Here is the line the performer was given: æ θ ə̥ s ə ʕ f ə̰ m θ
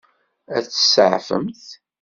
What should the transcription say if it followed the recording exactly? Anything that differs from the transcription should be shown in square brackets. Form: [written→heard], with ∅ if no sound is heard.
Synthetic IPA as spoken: æ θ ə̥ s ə ʕ f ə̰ m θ